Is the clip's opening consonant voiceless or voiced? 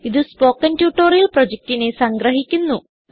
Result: voiced